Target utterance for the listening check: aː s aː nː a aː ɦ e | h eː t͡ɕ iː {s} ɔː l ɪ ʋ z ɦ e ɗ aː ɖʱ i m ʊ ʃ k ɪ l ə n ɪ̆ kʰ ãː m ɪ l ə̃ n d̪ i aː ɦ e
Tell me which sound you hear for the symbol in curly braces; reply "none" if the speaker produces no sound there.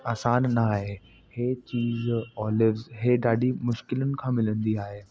z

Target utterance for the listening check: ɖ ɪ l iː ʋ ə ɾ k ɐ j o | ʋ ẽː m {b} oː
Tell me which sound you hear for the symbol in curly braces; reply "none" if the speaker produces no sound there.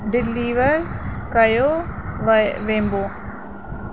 b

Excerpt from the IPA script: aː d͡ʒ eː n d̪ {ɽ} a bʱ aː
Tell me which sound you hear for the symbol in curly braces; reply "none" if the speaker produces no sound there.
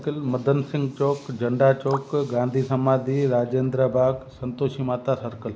ɾ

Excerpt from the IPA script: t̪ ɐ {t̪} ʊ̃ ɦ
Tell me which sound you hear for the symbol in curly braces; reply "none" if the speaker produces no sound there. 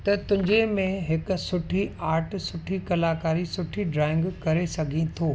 t̪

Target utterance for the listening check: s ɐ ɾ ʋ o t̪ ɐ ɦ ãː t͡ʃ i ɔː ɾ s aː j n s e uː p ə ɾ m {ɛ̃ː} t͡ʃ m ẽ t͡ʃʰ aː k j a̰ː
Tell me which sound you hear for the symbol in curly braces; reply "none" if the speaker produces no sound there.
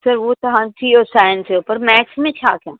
ɛː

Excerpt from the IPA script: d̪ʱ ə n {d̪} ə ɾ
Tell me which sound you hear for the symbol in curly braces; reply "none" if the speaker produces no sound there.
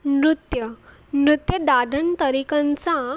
t̪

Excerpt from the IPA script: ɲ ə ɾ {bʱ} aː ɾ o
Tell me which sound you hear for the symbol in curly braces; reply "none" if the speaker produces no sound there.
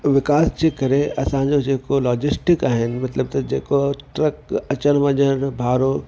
bʱ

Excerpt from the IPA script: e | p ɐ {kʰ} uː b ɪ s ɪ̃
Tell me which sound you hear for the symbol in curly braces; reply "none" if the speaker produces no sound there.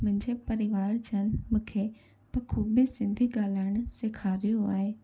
kʰ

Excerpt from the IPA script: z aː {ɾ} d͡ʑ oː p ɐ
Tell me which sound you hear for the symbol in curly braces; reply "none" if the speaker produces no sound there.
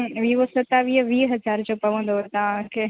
ɾ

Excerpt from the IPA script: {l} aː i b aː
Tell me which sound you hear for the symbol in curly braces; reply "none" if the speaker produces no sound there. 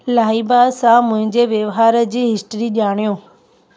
l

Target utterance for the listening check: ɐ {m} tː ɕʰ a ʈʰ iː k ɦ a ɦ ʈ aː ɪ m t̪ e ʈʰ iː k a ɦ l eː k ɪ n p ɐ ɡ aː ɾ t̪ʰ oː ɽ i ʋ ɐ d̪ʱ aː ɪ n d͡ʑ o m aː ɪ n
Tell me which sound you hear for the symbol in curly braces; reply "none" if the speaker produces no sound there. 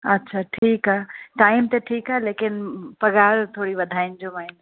none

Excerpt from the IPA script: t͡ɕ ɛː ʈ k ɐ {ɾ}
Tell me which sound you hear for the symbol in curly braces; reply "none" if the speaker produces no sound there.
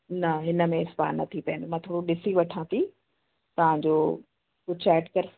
ɾ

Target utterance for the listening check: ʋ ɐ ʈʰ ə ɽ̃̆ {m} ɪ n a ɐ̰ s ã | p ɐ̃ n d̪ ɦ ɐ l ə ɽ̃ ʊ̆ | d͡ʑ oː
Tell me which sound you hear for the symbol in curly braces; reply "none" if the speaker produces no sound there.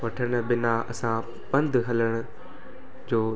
b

